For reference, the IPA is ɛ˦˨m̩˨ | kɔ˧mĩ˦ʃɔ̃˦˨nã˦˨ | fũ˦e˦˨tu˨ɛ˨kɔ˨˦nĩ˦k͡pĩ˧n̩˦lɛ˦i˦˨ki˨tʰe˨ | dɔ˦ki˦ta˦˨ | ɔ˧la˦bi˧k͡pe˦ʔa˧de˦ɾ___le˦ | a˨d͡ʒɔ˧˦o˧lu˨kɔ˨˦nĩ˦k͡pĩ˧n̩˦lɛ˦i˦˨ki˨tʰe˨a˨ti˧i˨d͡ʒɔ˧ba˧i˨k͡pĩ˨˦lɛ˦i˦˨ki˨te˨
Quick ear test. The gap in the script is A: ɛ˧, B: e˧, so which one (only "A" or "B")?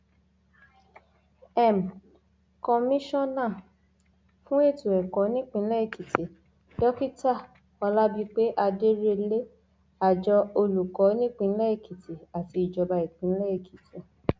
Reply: B